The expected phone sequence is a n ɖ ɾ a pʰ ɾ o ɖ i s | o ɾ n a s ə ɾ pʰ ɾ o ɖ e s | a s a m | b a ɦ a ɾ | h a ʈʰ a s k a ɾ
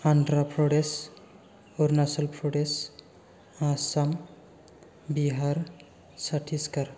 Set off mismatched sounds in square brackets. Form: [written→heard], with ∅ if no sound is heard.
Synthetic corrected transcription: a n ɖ ɾ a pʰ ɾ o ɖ [i→e] s | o ɾ n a s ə [ɾ→l] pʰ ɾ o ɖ e s | a s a m | b [a→i] ɦ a ɾ | [h→s] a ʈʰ [a→i] s k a ɾ